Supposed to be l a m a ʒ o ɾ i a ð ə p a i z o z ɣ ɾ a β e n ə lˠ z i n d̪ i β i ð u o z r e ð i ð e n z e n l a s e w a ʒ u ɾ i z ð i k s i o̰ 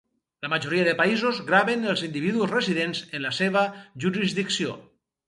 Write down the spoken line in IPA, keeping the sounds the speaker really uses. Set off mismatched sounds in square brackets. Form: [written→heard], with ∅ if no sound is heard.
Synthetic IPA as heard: l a m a ʒ o ɾ i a ð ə p a i z o z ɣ ɾ a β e n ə lˠ z i n d̪ i β i ð u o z r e [ð→z] i ð e n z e n l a s e [w→β] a ʒ u ɾ i z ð i k s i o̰